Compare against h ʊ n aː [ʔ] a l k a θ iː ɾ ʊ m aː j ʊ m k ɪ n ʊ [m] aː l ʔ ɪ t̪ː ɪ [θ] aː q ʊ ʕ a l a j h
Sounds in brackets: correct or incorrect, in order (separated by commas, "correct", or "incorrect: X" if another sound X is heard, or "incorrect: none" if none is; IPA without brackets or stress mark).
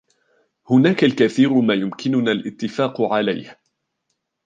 incorrect: k, incorrect: n, incorrect: f